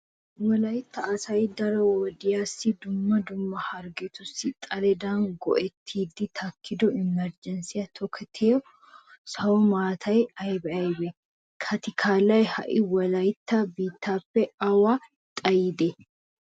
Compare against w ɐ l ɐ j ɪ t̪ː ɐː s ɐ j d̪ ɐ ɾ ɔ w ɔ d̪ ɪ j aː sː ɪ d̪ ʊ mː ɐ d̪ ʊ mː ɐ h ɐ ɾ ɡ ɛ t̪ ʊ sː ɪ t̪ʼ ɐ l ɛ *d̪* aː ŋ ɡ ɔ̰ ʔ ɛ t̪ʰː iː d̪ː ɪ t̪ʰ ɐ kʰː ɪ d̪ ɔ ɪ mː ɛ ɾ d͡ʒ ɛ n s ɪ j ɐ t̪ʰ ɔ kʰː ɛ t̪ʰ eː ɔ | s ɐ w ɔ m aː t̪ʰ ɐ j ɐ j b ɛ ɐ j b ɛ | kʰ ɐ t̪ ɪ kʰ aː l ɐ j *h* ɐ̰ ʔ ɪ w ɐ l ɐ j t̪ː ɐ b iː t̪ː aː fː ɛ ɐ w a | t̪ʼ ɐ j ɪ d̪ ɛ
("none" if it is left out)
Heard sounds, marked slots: d̪, h

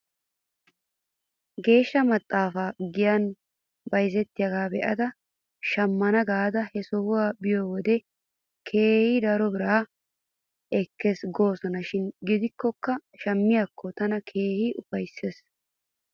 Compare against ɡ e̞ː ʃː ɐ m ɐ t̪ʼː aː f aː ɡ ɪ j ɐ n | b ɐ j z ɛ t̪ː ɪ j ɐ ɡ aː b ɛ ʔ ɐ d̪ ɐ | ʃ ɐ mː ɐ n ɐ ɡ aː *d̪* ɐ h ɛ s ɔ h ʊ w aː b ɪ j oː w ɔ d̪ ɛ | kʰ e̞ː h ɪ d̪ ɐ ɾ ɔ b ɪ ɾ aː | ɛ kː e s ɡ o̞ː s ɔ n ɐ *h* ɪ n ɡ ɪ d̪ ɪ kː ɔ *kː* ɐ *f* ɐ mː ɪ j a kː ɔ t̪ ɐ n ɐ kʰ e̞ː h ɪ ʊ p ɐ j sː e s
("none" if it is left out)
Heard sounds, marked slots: d̪, ʃ, kː, ʃ

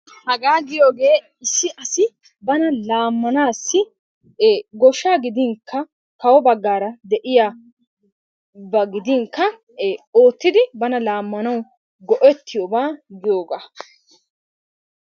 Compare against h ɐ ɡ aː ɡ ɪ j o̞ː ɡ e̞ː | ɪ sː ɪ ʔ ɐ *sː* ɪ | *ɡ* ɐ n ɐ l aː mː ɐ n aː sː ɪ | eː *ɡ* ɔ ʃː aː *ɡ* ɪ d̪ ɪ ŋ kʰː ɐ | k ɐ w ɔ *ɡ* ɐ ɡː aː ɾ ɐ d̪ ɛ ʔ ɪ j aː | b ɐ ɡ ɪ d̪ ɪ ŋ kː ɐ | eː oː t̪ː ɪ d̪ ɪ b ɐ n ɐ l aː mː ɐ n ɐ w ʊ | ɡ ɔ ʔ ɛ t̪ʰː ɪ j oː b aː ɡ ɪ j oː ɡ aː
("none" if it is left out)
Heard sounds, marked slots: s, b, ɡ, ɡ, b

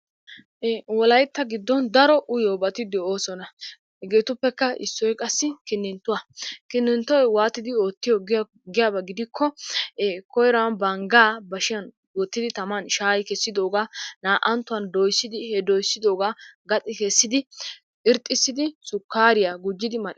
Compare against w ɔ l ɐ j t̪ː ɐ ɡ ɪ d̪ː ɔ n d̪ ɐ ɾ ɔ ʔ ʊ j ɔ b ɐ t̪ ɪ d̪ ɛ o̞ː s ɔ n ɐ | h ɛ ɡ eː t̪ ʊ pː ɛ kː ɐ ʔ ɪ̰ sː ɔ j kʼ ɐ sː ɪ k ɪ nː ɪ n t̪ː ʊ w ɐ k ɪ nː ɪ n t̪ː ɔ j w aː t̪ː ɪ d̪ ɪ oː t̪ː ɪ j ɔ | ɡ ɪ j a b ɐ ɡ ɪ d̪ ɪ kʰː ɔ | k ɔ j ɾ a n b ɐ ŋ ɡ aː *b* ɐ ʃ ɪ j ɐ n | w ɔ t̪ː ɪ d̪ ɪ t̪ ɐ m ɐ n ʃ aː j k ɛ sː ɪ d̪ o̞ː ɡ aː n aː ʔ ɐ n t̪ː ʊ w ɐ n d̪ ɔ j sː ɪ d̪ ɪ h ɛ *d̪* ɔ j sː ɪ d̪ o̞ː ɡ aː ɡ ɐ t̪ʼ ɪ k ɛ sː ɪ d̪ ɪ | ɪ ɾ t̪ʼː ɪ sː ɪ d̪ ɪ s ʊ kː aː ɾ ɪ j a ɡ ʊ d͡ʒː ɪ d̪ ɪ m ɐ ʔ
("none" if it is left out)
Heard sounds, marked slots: b, d̪

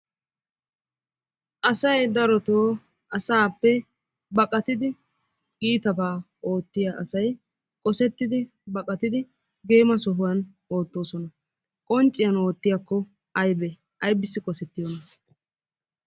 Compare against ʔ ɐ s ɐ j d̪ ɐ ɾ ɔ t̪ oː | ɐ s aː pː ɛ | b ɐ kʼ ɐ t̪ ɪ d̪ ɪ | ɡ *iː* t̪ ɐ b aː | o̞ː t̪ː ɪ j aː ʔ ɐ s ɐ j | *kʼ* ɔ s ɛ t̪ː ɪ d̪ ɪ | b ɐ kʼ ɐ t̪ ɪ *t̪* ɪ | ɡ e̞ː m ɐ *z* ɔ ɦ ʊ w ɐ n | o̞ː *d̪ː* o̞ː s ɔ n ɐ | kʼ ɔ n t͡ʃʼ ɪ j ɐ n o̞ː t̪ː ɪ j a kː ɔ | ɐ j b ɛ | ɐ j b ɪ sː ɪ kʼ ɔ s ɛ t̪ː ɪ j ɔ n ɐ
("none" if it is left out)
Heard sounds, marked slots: iː, kʼ, d̪, s, t̪ː

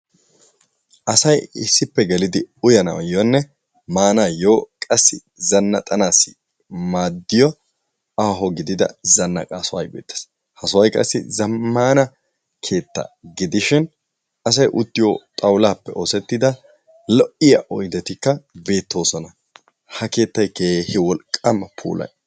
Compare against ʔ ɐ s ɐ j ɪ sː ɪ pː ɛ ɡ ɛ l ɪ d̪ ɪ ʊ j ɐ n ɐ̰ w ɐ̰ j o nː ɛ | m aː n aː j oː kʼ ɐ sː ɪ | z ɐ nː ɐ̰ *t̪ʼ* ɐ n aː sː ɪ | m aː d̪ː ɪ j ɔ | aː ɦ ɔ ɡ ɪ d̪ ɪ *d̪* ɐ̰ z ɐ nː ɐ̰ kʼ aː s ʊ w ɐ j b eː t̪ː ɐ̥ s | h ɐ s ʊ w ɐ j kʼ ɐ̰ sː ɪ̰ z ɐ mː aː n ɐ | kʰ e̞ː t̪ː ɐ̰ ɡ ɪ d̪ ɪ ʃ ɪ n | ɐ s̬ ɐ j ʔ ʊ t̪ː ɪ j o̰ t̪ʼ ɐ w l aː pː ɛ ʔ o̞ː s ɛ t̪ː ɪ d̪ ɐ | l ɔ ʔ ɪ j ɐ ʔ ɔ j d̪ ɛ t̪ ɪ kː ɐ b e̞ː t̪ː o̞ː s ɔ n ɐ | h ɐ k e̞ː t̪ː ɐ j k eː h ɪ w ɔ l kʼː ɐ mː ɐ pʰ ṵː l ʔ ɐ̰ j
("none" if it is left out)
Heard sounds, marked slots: t̪ʼ, d̪

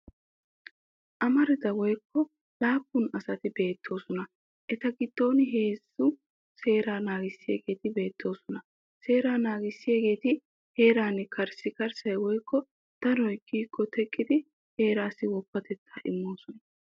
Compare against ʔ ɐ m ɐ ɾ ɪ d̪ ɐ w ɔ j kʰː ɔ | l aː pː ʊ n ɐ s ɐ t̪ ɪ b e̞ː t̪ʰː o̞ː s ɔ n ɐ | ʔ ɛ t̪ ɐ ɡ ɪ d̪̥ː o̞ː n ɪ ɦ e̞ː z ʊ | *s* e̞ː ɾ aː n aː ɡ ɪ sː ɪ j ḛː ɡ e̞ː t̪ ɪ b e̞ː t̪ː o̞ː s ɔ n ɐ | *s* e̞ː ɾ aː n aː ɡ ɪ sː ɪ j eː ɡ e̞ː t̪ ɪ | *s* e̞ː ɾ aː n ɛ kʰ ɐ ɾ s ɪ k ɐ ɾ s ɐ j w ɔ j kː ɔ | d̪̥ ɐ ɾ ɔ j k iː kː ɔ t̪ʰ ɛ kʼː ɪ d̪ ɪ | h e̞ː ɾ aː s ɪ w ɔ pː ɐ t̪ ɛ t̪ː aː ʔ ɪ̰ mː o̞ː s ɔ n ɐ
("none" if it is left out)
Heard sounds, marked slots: s, s, h

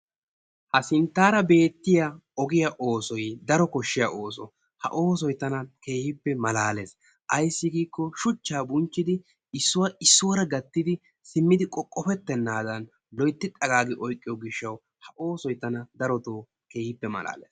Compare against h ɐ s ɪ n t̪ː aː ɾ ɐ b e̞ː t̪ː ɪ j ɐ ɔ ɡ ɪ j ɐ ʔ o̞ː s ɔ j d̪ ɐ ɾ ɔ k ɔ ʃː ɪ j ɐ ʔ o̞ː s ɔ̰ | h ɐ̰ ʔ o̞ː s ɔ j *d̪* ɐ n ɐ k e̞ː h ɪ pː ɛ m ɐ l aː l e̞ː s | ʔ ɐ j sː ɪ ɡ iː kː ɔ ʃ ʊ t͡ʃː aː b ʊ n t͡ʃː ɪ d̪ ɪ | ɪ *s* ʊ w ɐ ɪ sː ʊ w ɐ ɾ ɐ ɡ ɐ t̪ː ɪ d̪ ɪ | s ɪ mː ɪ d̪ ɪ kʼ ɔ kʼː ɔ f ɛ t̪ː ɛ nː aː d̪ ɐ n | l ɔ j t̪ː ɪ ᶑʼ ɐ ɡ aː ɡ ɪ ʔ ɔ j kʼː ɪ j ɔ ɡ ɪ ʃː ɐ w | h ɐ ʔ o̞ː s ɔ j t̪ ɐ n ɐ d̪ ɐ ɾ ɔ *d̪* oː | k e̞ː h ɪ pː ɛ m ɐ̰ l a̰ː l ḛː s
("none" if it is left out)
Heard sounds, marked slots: t̪, sː, t̪

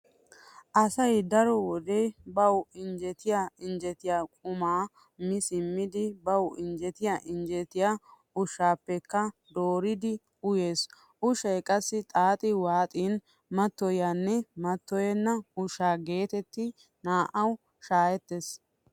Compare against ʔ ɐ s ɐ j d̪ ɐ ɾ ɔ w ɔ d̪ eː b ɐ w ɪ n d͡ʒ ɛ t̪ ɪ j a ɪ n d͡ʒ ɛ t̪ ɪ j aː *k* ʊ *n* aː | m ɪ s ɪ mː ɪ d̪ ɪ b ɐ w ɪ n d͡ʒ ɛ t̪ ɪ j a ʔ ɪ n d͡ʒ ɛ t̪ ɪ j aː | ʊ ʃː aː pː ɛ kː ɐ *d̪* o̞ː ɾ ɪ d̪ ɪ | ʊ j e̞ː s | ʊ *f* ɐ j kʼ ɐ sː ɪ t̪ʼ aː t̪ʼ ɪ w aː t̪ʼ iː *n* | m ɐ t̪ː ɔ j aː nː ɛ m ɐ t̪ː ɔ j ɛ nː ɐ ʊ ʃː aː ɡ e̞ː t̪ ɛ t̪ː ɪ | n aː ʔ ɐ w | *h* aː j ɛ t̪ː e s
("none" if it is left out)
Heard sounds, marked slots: kʼ, m, d̪, ʃ, n, ʃ

